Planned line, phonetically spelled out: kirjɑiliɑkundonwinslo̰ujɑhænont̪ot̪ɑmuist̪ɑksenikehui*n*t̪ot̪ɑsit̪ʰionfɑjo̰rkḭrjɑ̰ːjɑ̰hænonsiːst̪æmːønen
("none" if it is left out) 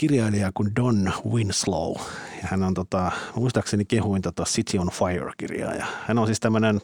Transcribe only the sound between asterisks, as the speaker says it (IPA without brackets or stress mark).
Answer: n